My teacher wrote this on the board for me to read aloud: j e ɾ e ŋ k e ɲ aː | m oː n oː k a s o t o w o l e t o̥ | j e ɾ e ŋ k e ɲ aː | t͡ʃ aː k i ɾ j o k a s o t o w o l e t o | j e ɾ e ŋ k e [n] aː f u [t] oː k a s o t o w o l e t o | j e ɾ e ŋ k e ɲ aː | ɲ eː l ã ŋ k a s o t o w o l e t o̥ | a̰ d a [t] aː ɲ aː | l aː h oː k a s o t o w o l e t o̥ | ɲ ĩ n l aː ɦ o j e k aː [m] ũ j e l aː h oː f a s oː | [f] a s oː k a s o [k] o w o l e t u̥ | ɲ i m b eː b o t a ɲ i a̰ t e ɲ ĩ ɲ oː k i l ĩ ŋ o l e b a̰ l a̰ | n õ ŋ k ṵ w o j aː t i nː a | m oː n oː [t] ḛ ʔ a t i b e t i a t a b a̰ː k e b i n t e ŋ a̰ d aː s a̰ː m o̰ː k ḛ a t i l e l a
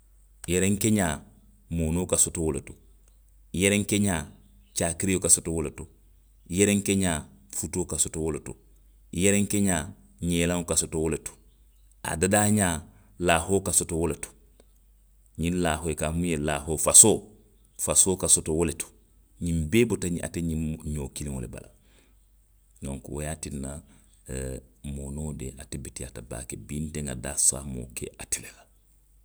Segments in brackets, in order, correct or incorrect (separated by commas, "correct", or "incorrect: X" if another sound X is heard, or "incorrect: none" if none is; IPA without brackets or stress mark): incorrect: ɲ, correct, incorrect: d, correct, correct, incorrect: t, incorrect: d